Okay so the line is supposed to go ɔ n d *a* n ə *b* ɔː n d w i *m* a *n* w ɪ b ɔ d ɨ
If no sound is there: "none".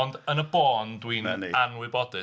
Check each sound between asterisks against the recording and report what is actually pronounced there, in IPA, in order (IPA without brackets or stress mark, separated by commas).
ə, b, n, n